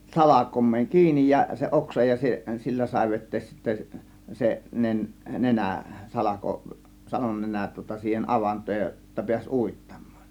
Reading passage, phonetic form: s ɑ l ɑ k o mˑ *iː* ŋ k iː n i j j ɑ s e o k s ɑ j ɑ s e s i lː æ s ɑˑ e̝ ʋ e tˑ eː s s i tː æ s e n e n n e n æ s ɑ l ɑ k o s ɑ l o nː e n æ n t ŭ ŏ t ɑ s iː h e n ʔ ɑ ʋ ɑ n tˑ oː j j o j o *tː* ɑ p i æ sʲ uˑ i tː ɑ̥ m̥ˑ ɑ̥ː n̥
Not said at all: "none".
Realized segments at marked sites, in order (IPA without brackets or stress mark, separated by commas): eː, tː